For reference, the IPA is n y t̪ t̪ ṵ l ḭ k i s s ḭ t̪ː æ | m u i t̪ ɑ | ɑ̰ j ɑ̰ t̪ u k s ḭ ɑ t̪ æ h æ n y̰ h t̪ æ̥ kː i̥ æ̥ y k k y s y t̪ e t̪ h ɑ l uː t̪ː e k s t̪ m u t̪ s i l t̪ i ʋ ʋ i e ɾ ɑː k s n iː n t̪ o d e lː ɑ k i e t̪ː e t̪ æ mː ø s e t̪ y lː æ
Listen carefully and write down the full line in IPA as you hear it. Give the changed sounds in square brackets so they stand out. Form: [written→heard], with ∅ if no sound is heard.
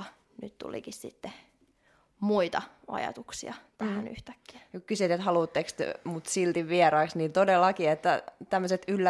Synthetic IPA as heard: n y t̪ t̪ ṵ l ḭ k i s s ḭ t̪ː [æ→e] | m u i t̪ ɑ | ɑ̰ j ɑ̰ t̪ u k s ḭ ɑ t̪ æ h æ n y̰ h t̪ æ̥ kː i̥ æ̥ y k k y s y t̪ e t̪ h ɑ l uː t̪ː e k s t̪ m u t̪ s i l t̪ i ʋ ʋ i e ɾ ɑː k s n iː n t̪ o d e lː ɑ k i e t̪ː [e→æ] t̪ æ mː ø s e t̪ y lː æ